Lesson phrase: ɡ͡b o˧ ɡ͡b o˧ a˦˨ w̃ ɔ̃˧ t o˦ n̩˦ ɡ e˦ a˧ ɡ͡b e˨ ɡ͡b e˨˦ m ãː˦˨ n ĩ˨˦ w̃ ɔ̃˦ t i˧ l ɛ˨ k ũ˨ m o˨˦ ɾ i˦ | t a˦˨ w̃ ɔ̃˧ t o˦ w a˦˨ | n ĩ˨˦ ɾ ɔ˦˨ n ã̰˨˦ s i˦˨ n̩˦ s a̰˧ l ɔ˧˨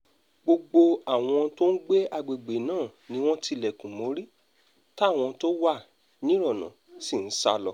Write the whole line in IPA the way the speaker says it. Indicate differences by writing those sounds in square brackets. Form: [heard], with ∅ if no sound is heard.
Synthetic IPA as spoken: ɡ͡b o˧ ɡ͡b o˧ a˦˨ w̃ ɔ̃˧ t o˦ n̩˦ [ɡ͡b] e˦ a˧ ɡ͡b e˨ ɡ͡b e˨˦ [n] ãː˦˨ n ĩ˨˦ w̃ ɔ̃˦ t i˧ l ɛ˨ k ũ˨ m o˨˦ ɾ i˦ | t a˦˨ w̃ ɔ̃˧ t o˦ w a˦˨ | n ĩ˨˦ ɾ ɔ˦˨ n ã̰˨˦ s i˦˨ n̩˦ s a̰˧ l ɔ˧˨

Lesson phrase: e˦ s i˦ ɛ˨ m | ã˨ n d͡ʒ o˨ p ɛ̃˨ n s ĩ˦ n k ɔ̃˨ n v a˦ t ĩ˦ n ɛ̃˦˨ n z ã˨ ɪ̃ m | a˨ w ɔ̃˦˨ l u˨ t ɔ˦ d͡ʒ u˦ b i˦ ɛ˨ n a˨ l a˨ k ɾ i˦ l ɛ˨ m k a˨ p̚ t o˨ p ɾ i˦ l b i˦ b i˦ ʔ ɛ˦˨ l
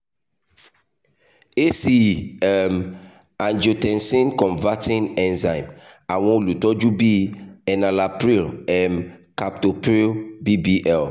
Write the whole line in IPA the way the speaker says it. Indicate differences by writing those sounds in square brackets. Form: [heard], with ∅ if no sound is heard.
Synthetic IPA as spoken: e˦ s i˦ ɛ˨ m | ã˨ n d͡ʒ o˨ [t] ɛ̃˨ n s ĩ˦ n k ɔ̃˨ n v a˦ t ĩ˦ n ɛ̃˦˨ n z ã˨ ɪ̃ m | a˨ w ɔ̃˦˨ l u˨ t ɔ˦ d͡ʒ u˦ b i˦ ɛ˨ n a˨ l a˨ [p] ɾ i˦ l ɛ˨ m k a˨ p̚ t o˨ p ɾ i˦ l b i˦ b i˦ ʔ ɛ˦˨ l

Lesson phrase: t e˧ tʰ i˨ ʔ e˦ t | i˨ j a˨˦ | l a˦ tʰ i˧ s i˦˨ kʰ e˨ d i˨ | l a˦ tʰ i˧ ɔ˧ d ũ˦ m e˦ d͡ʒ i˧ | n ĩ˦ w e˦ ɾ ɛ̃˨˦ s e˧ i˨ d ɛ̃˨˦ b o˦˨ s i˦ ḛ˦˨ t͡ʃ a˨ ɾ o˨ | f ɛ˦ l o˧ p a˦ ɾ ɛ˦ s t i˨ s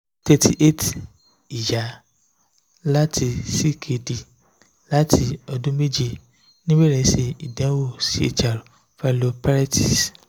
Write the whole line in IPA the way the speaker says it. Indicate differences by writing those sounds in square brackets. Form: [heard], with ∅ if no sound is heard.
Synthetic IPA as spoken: t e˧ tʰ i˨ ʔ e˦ t | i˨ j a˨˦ | l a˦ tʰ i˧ s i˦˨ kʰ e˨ d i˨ | l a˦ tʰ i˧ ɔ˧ d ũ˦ m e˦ d͡ʒ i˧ | n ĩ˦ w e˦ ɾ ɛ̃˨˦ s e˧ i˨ d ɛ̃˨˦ [w] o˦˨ s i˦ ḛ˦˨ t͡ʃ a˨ ɾ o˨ | f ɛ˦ l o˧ p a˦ ɾ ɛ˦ [∅] t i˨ s

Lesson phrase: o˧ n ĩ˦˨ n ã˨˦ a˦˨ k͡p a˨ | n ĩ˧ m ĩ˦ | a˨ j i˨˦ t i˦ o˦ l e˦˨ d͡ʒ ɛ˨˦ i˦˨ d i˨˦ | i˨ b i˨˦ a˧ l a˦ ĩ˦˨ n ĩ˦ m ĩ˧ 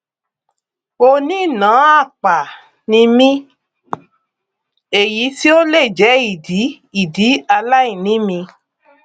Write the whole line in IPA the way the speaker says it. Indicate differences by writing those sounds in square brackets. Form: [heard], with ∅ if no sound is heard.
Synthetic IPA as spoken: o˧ n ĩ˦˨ n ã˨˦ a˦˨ k͡p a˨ | n ĩ˧ m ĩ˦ | [e˨] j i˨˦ t i˦ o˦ l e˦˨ d͡ʒ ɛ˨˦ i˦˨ d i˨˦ | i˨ [d] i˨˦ a˧ l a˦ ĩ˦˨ n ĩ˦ m ĩ˧

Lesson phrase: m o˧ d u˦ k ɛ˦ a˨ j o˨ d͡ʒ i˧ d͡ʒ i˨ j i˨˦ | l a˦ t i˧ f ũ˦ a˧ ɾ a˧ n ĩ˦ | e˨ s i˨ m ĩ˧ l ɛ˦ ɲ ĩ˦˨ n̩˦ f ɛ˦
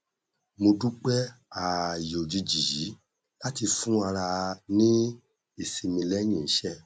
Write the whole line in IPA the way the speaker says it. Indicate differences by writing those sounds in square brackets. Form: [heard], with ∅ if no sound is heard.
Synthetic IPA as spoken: m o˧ d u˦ [k͡p] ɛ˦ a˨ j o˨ d͡ʒ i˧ d͡ʒ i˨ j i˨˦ | l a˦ t i˧ f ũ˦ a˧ ɾ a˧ n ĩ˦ | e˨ s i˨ m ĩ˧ l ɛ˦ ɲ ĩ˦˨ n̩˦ [ʃ] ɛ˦

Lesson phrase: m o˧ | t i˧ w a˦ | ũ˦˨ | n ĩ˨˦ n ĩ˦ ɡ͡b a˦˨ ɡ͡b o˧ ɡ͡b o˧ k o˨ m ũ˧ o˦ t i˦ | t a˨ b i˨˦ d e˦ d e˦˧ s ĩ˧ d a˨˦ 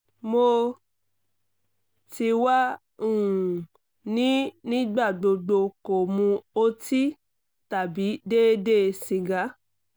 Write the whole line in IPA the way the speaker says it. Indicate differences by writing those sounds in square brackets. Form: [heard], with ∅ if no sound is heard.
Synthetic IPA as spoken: m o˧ | t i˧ w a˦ | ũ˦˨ | n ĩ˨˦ n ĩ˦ ɡ͡b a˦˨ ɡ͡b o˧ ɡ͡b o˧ k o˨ m ũ˧ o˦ t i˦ | t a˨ b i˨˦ d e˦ d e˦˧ s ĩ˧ [ɡ] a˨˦

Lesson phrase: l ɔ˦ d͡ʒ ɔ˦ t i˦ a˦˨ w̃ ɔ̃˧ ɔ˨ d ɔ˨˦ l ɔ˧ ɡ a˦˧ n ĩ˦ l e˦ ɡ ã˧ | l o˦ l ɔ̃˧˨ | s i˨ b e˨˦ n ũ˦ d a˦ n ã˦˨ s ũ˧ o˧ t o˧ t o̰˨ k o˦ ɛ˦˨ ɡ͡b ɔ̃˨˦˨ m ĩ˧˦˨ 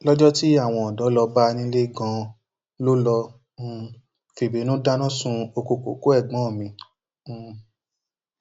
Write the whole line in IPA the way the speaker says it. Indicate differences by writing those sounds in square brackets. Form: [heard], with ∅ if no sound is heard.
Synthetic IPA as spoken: l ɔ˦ d͡ʒ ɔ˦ t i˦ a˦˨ w̃ ɔ̃˧ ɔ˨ d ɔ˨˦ l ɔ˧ [b] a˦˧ n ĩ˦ l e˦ ɡ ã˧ | l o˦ l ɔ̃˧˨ | [f] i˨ b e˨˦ n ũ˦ d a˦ n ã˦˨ s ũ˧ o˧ [k] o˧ [k] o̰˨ k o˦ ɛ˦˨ ɡ͡b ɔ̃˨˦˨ m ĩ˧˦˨

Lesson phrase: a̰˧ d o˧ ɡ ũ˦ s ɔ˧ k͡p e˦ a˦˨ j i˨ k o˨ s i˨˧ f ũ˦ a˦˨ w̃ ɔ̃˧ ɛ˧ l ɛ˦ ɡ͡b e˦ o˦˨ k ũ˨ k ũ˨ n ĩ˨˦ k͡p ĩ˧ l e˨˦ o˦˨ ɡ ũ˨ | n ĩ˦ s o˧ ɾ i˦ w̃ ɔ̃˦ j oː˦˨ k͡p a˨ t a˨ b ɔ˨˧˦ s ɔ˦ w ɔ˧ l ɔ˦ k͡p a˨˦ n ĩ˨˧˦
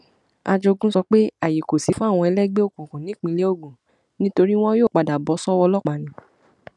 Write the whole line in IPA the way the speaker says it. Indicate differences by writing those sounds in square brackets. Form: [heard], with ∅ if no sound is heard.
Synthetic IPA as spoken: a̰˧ [d͡ʒ] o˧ ɡ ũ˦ s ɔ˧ k͡p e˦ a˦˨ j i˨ k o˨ s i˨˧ f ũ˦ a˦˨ w̃ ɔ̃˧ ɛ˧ l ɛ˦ ɡ͡b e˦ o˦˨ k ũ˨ k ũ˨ n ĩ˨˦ k͡p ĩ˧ l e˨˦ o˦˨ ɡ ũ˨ | n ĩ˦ [t] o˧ ɾ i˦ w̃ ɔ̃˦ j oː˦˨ k͡p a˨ [d] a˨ b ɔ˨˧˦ s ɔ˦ w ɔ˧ l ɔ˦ k͡p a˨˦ n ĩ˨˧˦

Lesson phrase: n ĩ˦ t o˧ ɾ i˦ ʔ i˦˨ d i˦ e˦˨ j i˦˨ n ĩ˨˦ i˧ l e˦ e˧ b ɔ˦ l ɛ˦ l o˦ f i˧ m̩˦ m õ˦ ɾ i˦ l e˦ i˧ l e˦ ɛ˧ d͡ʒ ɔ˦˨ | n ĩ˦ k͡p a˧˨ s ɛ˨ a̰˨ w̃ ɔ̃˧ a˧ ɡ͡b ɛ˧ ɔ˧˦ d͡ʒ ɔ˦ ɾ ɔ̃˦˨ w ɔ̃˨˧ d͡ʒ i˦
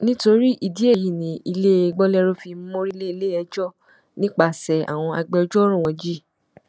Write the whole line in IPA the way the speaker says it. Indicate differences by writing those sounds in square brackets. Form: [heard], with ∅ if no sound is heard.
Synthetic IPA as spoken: n ĩ˦ t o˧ ɾ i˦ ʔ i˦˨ d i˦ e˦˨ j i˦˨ n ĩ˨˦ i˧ l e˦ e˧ [ɡ͡b] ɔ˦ l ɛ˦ [ɾ] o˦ f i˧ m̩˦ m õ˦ ɾ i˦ l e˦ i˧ l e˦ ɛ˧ d͡ʒ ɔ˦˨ | n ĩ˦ k͡p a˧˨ s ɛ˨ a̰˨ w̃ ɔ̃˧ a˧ ɡ͡b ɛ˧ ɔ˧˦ d͡ʒ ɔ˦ ɾ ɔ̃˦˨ w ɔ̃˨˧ d͡ʒ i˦

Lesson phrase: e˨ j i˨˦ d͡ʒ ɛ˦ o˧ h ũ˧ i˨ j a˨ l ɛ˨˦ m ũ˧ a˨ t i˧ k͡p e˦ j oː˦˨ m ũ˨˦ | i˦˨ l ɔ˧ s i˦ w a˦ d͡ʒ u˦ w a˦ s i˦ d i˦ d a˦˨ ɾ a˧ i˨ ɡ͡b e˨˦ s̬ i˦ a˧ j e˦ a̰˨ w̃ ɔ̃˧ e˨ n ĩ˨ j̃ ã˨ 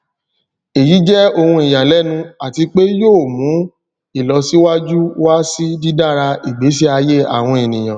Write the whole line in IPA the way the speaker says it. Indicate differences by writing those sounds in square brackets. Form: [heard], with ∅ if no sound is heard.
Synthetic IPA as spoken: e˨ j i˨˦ d͡ʒ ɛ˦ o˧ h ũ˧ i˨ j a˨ l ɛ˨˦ [n] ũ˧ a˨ t i˧ k͡p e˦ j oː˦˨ m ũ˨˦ | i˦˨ l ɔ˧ s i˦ w a˦ d͡ʒ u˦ w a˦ s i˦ d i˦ d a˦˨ ɾ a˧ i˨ ɡ͡b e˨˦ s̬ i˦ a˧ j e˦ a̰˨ w̃ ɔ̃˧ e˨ n ĩ˨ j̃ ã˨

